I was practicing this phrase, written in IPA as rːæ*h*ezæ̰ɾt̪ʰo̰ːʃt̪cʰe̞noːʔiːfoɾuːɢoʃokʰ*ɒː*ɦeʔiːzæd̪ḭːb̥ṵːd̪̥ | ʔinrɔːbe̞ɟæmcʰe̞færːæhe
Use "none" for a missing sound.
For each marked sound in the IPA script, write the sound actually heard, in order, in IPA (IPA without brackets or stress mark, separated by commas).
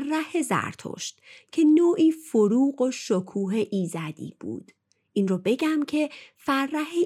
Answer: h, uː